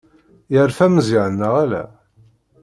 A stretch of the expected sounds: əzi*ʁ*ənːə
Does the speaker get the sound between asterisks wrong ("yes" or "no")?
yes